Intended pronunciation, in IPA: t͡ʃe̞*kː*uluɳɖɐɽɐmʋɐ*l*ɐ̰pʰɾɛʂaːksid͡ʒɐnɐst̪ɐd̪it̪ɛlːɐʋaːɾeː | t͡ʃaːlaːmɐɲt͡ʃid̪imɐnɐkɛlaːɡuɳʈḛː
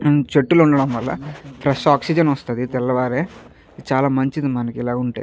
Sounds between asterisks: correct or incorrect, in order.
incorrect: ʈː, incorrect: lː

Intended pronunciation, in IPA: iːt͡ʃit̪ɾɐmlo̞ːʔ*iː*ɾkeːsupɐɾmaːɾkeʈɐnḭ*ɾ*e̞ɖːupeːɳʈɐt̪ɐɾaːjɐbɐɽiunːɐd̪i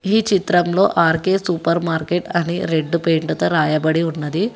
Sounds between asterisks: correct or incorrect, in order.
incorrect: aː, correct

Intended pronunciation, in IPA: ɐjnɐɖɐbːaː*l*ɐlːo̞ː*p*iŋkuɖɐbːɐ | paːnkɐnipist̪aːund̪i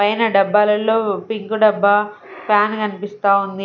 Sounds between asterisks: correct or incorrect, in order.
correct, correct

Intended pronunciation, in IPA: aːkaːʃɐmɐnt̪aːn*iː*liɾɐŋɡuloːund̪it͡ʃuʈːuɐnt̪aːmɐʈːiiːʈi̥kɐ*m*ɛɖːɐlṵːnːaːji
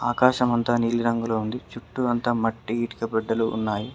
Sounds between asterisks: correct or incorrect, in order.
correct, incorrect: b

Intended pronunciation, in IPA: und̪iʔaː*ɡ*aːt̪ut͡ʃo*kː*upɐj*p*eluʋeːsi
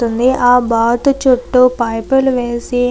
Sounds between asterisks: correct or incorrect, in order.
incorrect: b, incorrect: ʈː, correct

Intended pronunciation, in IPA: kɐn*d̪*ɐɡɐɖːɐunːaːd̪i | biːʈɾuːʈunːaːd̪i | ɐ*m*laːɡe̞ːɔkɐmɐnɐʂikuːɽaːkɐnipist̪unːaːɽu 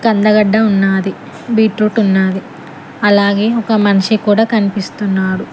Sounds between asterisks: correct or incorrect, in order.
correct, incorrect: none

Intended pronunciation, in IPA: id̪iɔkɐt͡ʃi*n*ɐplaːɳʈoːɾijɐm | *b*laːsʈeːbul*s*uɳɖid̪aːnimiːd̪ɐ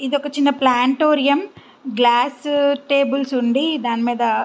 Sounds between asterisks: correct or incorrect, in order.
incorrect: nː, incorrect: ɡ, correct

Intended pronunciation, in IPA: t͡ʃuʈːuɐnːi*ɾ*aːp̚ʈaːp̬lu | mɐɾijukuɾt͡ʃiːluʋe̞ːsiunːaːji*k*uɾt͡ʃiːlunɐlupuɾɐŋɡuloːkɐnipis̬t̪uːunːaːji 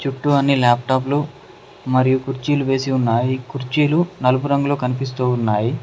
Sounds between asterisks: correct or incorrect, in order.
incorrect: l, correct

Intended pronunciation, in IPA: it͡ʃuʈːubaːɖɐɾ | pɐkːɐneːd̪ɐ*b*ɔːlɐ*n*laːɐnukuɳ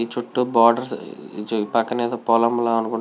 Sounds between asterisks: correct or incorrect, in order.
incorrect: p, incorrect: m

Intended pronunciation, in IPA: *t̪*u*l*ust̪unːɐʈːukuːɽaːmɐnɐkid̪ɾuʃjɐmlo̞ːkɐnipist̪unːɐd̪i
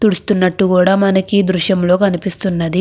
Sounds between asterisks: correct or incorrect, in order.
correct, incorrect: ɽ

